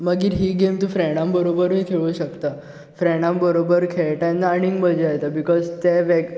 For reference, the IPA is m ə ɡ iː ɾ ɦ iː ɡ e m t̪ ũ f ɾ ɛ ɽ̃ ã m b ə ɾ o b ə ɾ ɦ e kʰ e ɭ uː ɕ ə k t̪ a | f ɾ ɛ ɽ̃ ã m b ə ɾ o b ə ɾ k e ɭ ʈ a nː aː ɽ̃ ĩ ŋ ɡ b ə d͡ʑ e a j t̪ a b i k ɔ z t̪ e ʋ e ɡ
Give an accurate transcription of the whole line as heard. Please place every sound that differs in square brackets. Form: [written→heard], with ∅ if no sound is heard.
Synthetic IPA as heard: m ə ɡ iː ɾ ɦ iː ɡ e m t̪ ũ f ɾ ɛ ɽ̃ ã m b ə ɾ o b ə ɾ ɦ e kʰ e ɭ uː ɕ ə k t̪ a | f ɾ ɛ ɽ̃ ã m b ə ɾ o b ə ɾ [k→kʰ] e ɭ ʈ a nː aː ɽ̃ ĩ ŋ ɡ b ə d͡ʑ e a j t̪ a b i k ɔ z t̪ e ʋ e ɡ